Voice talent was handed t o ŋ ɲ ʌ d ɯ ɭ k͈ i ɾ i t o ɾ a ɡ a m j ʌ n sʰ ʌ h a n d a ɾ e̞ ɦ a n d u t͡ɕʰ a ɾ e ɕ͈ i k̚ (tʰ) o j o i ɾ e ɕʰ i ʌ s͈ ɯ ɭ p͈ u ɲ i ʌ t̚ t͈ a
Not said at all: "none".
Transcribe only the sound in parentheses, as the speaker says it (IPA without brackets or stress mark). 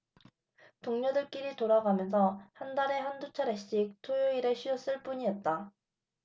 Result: tʰ